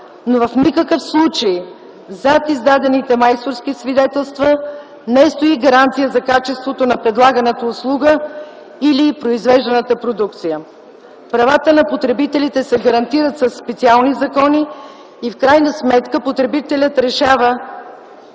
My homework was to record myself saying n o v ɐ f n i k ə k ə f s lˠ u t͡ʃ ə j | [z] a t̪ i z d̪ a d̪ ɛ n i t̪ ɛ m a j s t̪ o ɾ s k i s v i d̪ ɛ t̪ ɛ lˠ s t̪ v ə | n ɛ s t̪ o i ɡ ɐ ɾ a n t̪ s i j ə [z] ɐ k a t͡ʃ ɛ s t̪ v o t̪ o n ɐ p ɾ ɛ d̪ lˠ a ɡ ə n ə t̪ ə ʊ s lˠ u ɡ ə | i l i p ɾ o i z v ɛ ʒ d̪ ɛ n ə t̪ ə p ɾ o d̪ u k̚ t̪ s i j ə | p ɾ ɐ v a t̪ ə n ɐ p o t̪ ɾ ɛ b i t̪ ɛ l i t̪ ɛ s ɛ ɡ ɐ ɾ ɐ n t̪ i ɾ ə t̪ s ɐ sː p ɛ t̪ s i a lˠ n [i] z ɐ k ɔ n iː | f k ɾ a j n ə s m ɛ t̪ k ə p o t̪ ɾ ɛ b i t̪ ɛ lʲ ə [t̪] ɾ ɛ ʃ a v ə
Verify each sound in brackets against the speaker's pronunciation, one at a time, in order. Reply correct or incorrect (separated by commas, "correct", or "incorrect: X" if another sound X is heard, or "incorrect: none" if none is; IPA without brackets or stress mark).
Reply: correct, correct, correct, correct